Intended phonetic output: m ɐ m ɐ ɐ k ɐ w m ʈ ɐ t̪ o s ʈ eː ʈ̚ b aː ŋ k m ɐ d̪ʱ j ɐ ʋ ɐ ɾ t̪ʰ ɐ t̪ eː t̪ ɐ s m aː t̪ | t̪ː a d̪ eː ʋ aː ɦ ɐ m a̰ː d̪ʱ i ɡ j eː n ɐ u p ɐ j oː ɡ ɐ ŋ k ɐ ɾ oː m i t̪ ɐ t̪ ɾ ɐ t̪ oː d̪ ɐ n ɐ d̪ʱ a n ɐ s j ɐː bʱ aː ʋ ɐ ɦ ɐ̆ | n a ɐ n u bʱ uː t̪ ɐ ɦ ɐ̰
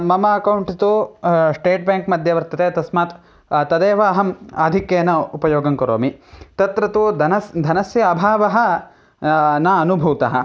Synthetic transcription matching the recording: m ɐ m ɐ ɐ k ɐ w ɳ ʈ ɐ t̪ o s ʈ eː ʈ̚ b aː ŋ k m ɐ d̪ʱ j ɐ ʋ ɐ ɾ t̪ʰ ɐ t̪ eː t̪ ɐ s m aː t̪ | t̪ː ɐ d̪ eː ʋ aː ɦ ɐ m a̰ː d̪ʱ i k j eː n ɐ u p ɐ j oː ɡ ɐ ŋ k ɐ ɾ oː m i t̪ ɐ t̪ ɾ ɐ t̪ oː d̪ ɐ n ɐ d̪ʱ ɐ n ɐ s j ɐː bʱ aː ʋ ɐ ɦ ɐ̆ | n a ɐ n u bʱ uː t̪ ɐ ɦ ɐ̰

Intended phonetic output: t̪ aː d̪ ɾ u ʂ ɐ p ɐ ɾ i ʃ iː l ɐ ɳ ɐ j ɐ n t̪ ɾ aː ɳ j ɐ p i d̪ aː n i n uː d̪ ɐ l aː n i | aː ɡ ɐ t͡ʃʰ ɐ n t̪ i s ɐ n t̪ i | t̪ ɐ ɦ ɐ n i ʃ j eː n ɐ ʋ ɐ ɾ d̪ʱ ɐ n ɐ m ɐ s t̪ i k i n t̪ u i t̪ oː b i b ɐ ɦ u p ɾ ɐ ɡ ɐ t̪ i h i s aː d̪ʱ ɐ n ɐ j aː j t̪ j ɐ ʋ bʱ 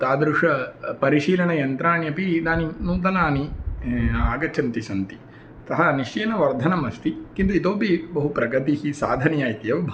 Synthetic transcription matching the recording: t̪ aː d̪ ɾ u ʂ ɐ p ɐ ɾ i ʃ iː l ɐ ɳ ɐ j ɐ n t̪ ɾ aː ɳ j ɐ p i d̪ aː n i n uː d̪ ɐ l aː n i | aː ɡ ɐ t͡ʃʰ ɐ n t̪ i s ɐ n t̪ i | t̪ ɐ ɦ ɐ n i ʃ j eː n ɐ ʋ ɐ ɾ d̪ʱ ɐ n ɐ m ɐ s t̪ i k i n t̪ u i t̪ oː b i b ɐ ɦ u p ɾ ɐ ɡ ɐ t̪ i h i s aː d̪ʱ ɐ n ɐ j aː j t̪ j ɐ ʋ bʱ

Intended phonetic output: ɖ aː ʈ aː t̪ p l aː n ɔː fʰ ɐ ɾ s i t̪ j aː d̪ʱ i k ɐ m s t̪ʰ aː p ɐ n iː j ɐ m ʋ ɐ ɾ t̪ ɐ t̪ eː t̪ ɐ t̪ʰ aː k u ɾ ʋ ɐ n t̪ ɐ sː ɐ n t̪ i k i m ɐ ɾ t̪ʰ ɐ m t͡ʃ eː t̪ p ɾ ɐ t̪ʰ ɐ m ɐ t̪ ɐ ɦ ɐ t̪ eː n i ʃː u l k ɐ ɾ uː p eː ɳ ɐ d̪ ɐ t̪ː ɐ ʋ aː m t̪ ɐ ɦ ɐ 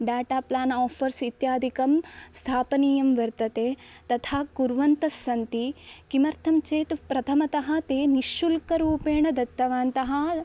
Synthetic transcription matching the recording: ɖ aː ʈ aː p l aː n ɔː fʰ ɐ ɾ s i t̪ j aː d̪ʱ i k ɐ m s t̪ʰ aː p ɐ n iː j ɐ m ʋ ɐ ɾ t̪ ɐ t̪ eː t̪ ɐ t̪ʰ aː k u ɾ ʋ ɐ n t̪ ɐ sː ɐ n t̪ i k i m ɐ ɾ t̪ʰ ɐ m t͡ʃ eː t̪ p ɾ ɐ t̪ʰ ɐ m ɐ t̪ ɐ ɦ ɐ t̪ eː n i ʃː u l k ɐ ɾ uː p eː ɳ ɐ d̪ ɐ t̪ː ɐ ʋ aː n t̪ ɐ ɦ ɐ

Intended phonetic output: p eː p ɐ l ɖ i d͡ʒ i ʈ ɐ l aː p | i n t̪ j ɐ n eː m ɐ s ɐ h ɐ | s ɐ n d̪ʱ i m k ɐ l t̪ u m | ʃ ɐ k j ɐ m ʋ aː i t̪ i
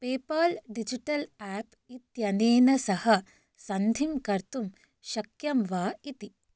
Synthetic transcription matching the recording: p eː p ɐ l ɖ i d͡ʒ i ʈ ɐ l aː p | i t̪ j ɐ n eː n ɐ s ɐ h ɐ | s ɐ n d̪ʱ i m k ɐ ɾ t̪ u m | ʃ ɐ k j ɐ m ʋ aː i t̪ i

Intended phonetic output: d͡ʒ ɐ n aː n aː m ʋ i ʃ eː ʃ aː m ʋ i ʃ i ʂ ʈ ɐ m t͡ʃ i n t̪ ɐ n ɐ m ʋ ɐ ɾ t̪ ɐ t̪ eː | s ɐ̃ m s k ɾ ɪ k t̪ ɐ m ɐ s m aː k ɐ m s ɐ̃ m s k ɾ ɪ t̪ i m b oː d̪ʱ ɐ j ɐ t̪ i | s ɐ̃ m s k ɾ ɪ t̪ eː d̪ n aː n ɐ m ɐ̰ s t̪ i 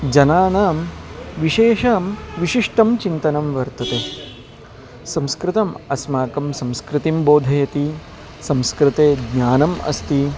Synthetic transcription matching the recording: d͡ʒ ɐ n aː n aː m ʋ i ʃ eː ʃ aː m ʋ i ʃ i ʂ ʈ ɐ m t͡ʃ i n t̪ ɐ n ɐ m ʋ ɐ ɾ t̪ ɐ t̪ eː | s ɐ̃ m s k ɾ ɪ t̪ ɐ m ɐ s m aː k ɐ m s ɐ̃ m s k ɾ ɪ t̪ i m b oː d̪ʱ ɐ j ɐ t̪ i | s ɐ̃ m s k ɾ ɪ t̪ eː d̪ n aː n ɐ m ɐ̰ s t̪ i

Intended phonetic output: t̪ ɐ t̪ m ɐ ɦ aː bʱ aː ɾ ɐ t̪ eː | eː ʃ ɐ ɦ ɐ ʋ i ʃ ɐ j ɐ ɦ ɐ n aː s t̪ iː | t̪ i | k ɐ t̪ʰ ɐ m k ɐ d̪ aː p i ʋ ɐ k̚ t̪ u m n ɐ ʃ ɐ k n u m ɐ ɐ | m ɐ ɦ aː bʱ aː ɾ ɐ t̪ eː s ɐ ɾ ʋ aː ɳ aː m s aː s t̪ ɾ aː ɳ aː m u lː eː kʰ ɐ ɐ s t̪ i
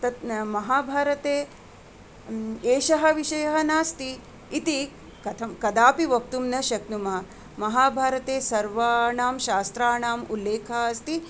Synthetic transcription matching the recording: t̪ ɐ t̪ m ɐ ɦ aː bʱ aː ɾ ɐ t̪ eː | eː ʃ ɐ ɦ ɐ ʋ i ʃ ɐ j ɐ ɦ ɐ n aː s t̪ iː | t̪ i | k ɐ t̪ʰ ɐ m k ɐ d̪ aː p i ʋ ɐ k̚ t̪ u m n ɐ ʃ ɐ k n u m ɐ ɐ | m ɐ ɦ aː bʱ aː ɾ ɐ t̪ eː s ɐ ɾ ʋ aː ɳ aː m ʃ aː s t̪ ɾ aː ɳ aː m u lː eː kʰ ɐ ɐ s t̪ i

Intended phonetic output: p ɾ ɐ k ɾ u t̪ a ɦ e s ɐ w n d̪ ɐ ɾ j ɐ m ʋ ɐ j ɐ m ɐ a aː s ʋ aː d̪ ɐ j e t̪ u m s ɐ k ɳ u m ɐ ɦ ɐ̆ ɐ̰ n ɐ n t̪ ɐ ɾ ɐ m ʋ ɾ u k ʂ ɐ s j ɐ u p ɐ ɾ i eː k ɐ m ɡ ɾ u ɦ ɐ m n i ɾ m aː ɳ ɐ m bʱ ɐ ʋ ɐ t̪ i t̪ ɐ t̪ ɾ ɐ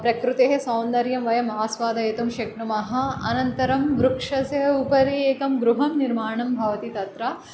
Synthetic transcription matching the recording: p ɾ ɐ k ɾ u t̪ e ɦ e s ɐ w n d̪ ɐ ɾ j ɐ m ʋ ɐ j ɐ m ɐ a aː s ʋ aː d̪ ɐ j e t̪ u m ʃ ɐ k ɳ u m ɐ ɦ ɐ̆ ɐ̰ n ɐ n t̪ ɐ ɾ ɐ m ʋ ɾ u k ʂ ɐ s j ɐ u p ɐ ɾ i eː k ɐ m ɡ ɾ u ɦ ɐ m n i ɾ m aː ɳ ɐ m bʱ ɐ ʋ ɐ t̪ i t̪ ɐ t̪ ɾ ɐ

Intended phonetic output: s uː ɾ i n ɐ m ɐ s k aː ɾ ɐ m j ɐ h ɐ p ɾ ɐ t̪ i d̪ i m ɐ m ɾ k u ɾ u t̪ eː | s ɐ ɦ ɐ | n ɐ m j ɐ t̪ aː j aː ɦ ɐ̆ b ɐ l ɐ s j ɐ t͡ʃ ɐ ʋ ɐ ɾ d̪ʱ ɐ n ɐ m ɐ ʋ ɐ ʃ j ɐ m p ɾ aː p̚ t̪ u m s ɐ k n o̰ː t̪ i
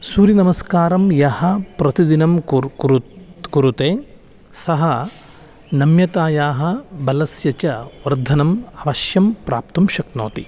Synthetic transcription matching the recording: s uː ɾ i n ɐ m ɐ s k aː ɾ ɐ m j ɐ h ɐ p ɾ ɐ t̪ i d̪ i n ɐ m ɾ k u ɾ u t̪ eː | s ɐ ɦ ɐ | n ɐ m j ɐ t̪ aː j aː ɦ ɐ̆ b ɐ l ɐ s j ɐ t͡ʃ ɐ ʋ ɐ ɾ d̪ʱ ɐ n ɐ m ɐ ʋ ɐ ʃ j ɐ m p ɾ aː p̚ t̪ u m ʃ ɐ k n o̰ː t̪ i

